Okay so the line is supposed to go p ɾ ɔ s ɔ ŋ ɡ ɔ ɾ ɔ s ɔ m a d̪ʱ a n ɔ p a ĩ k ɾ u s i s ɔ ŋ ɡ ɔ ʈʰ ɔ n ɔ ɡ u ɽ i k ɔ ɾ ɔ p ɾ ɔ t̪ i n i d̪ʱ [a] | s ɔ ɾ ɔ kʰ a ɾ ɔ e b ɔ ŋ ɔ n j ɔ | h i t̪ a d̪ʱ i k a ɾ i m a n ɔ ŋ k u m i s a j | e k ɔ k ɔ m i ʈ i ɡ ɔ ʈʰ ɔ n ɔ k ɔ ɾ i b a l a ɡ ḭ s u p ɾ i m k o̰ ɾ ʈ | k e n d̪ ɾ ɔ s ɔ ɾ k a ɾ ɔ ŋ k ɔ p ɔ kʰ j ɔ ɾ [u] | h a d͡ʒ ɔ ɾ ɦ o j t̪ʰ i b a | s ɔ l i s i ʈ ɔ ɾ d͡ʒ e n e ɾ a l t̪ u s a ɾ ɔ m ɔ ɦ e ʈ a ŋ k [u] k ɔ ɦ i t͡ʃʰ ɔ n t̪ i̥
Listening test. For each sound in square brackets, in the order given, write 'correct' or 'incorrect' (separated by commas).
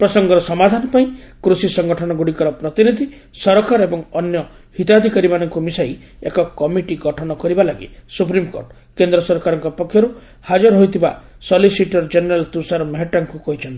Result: incorrect, correct, correct